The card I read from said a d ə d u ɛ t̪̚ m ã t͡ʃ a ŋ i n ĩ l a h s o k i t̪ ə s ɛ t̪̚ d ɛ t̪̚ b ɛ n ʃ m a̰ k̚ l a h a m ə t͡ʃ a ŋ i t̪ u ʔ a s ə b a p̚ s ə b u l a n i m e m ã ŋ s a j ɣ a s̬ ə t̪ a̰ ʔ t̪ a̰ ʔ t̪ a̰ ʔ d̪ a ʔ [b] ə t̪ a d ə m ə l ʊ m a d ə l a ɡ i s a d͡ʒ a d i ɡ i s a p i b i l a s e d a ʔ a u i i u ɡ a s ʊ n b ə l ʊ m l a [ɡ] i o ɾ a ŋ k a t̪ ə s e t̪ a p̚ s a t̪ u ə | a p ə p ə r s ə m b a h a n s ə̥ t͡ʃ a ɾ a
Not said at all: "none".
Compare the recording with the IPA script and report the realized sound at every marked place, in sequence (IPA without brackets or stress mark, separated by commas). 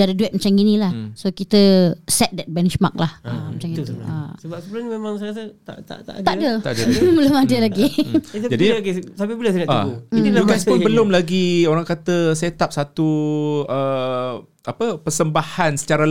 d, ɡ